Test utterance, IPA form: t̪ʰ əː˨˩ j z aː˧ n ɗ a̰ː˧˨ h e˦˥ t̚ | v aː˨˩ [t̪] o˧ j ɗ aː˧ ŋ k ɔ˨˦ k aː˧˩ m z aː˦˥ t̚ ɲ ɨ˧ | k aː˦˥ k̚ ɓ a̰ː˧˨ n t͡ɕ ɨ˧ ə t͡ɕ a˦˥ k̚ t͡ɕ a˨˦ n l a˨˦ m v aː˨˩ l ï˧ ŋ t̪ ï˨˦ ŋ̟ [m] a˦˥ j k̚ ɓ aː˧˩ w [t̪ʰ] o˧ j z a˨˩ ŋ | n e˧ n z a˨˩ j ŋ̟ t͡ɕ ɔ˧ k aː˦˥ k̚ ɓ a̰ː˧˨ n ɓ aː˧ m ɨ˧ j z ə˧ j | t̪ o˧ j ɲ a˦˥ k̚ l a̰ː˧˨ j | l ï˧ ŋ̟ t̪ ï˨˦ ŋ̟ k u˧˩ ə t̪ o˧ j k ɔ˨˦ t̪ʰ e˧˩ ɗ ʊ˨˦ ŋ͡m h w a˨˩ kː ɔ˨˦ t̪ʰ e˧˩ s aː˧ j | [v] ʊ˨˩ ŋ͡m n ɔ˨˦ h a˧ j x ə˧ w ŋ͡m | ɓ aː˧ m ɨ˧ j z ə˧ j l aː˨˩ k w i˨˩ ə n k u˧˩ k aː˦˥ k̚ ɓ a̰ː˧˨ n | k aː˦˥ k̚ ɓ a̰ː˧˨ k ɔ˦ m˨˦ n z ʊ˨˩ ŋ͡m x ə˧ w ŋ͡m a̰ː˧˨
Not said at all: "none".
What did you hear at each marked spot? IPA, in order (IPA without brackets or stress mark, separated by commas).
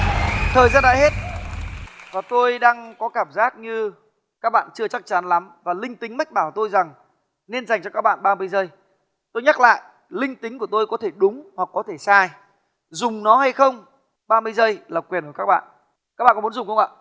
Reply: t̪, m, t̪, z